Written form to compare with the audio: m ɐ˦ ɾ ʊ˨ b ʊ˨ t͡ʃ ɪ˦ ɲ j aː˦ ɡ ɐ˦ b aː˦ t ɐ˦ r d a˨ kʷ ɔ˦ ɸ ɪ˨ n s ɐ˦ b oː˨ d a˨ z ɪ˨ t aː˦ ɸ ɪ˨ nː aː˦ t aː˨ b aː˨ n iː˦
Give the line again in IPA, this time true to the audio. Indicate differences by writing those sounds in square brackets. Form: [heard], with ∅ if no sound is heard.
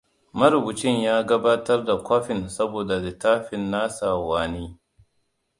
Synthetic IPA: m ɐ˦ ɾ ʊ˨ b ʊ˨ t͡ʃ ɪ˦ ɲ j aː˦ ɡ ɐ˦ b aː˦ t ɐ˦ r d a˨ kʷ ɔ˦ ɸ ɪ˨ n s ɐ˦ b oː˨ d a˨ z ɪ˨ t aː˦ ɸ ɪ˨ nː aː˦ [s] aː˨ [w] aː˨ n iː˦